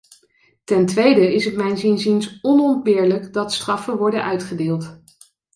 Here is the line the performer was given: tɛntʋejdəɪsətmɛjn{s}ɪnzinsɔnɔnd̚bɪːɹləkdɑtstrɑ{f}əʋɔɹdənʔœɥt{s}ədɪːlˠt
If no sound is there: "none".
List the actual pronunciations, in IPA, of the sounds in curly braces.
z, f, χ

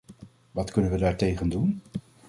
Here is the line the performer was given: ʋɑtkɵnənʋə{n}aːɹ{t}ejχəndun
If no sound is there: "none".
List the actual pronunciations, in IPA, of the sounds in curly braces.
d, t

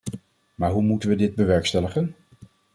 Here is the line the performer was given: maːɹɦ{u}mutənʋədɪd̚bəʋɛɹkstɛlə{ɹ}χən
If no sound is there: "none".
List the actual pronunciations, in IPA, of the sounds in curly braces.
u, none

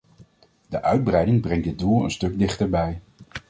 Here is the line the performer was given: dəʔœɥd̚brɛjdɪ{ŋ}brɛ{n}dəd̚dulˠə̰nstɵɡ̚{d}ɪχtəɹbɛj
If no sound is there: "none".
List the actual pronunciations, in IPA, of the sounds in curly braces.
ŋ, ŋ, d

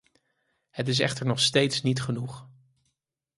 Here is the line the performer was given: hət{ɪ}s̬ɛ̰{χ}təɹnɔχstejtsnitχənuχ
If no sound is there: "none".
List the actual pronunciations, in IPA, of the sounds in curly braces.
ɪ, χ

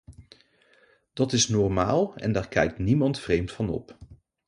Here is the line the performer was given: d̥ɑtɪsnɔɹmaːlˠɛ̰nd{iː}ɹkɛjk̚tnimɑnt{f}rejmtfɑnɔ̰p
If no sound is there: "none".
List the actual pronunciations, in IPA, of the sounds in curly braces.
aː, f

